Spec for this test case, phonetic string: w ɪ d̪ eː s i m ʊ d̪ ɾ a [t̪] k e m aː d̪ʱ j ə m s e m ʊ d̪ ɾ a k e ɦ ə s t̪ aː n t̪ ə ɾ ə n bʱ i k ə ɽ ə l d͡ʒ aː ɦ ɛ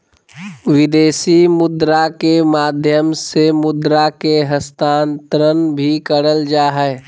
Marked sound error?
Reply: yes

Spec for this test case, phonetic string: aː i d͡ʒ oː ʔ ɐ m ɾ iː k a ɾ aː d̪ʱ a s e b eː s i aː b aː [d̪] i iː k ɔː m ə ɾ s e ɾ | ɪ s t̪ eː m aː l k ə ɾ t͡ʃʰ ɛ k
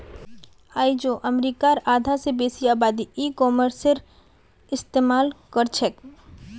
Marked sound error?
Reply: no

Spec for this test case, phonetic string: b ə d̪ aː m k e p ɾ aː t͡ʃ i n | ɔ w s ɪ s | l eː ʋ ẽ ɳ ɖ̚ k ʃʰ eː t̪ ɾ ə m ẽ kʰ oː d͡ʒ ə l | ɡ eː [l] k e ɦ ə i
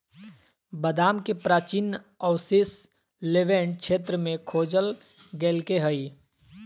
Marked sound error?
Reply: no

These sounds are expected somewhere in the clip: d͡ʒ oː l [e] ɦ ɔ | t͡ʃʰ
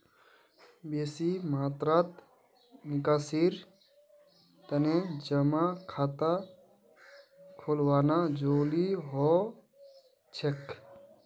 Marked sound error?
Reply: yes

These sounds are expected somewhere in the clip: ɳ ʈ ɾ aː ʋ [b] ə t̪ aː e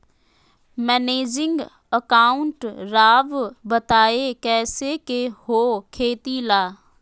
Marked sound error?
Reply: no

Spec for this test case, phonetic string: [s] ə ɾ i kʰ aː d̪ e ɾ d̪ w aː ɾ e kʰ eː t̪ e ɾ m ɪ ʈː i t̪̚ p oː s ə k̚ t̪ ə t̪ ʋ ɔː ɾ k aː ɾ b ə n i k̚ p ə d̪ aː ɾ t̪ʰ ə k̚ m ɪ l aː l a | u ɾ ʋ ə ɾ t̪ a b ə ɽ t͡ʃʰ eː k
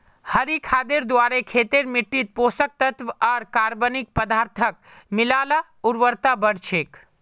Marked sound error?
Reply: yes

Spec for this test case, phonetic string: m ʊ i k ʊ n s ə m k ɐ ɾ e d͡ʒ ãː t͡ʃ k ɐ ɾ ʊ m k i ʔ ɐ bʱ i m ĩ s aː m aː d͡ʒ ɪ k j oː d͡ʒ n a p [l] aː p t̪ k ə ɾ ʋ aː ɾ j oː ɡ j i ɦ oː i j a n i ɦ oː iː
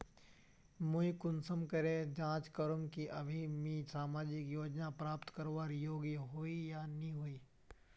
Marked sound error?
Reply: yes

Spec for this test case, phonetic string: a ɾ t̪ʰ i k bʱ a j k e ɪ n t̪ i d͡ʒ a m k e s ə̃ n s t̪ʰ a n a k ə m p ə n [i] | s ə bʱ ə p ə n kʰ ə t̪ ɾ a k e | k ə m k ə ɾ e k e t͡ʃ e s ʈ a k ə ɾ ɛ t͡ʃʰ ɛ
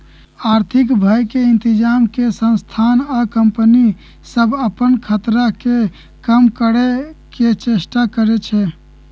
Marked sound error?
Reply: no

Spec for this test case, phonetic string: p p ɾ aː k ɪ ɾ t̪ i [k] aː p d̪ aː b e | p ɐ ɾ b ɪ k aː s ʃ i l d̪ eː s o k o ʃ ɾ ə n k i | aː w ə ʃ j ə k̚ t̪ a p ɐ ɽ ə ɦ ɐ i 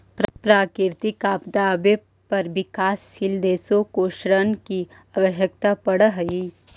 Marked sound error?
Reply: no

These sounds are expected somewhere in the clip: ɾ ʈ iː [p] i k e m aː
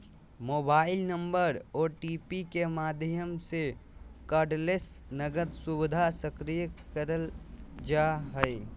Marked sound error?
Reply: no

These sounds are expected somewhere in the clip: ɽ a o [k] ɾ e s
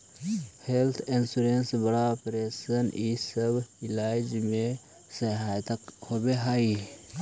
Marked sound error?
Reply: yes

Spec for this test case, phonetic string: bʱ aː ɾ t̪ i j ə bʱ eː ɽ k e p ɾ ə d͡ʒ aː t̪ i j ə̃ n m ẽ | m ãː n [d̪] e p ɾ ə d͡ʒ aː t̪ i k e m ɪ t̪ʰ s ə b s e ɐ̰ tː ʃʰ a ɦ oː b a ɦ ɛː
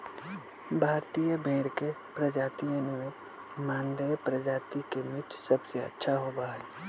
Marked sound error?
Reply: no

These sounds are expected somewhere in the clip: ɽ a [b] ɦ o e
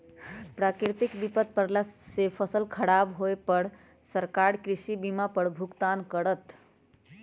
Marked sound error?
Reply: no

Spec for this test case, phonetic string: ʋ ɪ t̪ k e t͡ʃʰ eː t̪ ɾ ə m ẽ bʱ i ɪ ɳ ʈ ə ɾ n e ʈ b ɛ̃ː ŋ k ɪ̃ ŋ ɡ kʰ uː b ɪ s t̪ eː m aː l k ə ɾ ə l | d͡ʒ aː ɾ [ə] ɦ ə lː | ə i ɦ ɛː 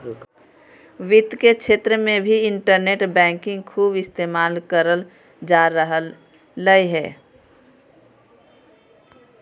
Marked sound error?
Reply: no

